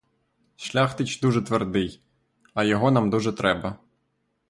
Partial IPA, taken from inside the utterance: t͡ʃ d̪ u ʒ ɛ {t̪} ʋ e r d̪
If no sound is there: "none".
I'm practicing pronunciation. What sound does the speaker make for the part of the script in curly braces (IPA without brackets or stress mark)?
t̪